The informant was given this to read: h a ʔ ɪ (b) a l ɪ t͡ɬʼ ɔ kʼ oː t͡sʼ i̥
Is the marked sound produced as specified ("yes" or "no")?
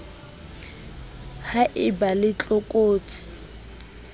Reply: yes